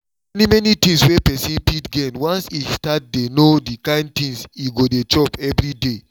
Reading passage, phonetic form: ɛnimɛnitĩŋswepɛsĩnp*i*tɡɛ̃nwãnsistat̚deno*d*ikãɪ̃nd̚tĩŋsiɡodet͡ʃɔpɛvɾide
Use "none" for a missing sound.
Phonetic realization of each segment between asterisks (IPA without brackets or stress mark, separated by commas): i, d